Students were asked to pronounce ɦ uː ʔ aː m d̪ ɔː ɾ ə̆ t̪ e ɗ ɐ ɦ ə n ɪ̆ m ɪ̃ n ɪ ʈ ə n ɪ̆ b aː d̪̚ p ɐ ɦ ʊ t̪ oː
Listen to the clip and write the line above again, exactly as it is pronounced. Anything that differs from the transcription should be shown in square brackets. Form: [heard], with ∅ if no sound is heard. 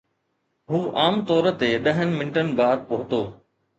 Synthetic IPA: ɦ uː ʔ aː m [t̪] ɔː ɾ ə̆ t̪ e ɗ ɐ ɦ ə n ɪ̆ m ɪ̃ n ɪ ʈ ə n ɪ̆ b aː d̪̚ p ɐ ɦ ʊ t̪ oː